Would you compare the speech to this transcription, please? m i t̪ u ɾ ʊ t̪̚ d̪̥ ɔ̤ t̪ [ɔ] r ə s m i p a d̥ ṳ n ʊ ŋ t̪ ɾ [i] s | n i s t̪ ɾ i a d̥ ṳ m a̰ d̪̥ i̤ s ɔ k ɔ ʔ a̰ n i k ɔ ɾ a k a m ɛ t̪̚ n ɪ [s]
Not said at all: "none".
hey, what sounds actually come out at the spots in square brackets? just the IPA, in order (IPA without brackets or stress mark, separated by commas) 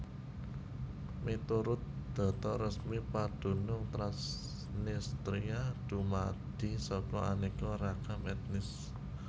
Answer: ɔ, a, s